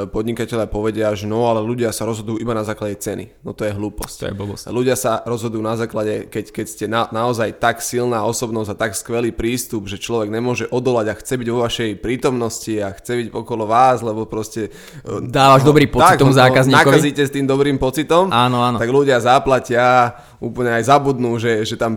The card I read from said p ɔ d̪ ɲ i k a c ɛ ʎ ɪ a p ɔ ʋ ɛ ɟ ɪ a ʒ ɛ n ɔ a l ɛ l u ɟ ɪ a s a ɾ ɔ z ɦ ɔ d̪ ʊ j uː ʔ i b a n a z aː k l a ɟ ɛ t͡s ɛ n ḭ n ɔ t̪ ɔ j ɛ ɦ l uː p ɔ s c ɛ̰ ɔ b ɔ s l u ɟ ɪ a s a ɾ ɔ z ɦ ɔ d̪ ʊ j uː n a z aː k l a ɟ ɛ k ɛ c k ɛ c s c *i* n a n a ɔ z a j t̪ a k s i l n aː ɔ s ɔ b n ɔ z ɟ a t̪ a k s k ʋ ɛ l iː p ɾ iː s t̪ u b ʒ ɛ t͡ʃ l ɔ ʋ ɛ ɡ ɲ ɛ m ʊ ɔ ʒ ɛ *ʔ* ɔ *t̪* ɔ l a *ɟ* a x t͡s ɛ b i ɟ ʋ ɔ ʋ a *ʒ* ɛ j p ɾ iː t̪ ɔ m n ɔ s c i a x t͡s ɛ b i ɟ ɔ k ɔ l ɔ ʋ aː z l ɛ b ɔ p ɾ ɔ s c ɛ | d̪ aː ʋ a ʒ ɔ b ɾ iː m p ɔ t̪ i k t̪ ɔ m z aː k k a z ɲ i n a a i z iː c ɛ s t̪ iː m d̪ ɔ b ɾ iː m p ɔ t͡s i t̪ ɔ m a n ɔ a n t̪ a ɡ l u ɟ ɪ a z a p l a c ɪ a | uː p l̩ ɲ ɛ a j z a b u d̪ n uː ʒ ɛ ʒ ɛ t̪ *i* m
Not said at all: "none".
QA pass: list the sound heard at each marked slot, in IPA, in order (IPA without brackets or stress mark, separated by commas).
ɛ, ʔ, d̪, ɟ, ʃ, a